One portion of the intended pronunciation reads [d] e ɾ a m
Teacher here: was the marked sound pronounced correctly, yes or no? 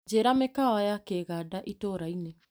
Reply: no